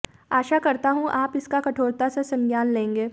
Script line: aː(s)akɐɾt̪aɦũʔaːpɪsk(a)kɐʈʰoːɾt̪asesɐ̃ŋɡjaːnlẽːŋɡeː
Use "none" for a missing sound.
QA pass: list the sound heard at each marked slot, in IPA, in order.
ʃ, a

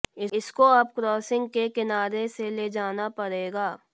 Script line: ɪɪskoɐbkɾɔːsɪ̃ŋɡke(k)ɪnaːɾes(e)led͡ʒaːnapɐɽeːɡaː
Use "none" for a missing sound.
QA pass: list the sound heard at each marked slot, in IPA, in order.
k, e

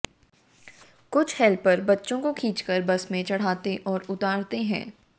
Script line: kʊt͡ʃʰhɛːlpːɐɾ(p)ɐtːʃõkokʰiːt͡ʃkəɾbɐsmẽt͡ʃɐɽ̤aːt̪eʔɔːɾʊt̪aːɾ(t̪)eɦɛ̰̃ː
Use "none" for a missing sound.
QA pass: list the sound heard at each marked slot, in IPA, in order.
b, t̪

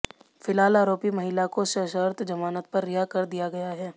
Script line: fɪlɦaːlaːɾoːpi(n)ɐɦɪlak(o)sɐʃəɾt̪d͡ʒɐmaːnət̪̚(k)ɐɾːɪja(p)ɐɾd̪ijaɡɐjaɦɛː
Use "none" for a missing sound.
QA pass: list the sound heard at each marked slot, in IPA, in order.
m, o, p, k

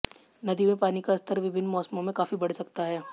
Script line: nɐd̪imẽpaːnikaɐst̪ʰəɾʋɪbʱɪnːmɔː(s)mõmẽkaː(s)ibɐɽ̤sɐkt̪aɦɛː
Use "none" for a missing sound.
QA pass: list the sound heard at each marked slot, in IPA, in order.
s, f

